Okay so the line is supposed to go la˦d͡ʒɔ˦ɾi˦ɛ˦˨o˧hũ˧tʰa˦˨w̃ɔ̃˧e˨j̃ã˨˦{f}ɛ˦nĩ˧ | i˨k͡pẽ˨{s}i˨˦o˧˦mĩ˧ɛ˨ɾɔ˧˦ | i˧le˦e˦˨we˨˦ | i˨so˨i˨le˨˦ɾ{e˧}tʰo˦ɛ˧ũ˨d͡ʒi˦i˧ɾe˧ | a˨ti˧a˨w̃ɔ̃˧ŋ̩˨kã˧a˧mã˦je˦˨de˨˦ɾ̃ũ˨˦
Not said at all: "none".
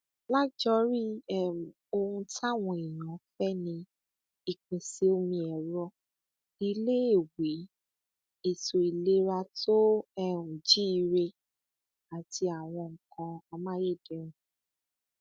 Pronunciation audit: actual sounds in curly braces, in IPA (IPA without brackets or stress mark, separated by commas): f, s, a˧